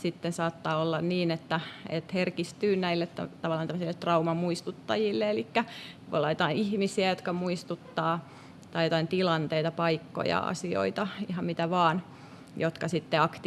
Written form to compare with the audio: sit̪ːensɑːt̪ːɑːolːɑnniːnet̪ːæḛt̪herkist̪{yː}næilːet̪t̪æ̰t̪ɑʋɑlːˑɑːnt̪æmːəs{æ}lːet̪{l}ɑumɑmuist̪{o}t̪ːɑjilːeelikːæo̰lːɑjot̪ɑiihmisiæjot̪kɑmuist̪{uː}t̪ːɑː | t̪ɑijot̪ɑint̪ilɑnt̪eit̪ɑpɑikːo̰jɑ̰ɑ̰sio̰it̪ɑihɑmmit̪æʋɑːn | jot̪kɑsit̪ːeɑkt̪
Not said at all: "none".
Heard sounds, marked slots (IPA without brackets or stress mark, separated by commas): yː, i, r, u, u